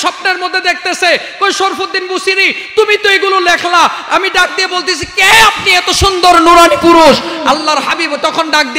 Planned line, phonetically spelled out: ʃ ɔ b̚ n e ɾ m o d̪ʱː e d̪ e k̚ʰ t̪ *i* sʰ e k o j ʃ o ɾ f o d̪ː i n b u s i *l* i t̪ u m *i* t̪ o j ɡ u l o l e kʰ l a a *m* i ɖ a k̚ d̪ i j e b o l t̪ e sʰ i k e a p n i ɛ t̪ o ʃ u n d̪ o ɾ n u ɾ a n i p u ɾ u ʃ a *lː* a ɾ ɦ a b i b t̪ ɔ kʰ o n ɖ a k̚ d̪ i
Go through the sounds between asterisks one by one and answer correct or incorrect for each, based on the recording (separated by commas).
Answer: incorrect, incorrect, correct, correct, correct